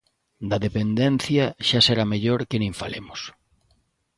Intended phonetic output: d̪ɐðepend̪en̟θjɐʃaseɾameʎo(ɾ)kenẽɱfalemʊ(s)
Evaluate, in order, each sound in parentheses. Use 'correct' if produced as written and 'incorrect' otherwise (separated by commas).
correct, correct